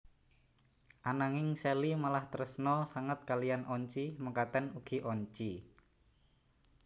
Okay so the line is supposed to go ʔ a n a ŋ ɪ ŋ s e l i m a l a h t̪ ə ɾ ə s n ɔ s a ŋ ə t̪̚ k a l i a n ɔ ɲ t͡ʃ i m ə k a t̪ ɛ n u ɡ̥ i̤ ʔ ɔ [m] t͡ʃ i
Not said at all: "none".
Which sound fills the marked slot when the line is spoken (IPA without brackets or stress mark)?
ɲ